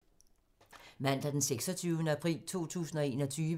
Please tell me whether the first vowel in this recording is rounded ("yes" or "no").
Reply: no